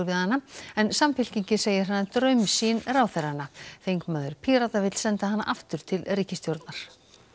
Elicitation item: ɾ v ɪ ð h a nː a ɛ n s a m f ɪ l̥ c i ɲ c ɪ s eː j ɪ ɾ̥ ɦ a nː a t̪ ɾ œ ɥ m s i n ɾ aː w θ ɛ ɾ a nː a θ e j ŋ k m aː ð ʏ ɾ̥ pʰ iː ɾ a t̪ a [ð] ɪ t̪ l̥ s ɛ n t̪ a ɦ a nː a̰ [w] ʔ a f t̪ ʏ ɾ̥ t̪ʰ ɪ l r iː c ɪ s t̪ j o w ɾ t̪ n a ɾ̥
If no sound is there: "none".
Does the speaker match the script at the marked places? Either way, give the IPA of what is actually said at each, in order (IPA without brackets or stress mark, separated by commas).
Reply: v, none